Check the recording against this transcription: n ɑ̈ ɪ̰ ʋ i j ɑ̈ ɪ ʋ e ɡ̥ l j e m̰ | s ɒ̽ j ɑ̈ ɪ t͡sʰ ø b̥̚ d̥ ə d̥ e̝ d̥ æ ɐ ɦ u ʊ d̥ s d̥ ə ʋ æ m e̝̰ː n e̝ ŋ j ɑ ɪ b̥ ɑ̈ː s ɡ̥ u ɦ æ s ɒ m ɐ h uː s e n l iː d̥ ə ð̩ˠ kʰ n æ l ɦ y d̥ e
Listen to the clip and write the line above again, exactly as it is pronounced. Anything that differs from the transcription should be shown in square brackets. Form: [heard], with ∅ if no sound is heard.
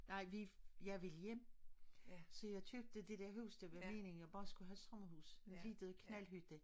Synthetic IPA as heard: n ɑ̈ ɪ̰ ʋ i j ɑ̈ ɪ ʋ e [∅] l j e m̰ | s ɒ̽ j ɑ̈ ɪ t͡sʰ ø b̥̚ d̥ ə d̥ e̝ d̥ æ ɐ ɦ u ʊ [∅] s d̥ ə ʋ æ m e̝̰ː n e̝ ŋ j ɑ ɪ b̥ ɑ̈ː s ɡ̥ u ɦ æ s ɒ m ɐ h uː s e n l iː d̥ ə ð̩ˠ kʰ n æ l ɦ y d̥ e